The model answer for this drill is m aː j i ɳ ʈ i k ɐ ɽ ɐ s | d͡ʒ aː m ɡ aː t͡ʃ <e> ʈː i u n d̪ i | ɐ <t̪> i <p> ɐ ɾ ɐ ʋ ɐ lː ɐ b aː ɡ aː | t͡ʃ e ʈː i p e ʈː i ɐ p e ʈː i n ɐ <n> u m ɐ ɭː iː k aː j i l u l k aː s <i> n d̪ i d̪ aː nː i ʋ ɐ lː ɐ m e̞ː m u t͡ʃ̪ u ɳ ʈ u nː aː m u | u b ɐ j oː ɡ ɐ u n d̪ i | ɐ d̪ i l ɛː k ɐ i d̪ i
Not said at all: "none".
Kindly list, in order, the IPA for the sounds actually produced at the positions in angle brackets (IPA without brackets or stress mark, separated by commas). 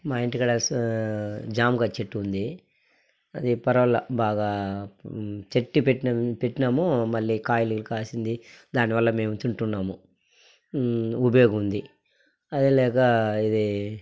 e, d̪, p, m, i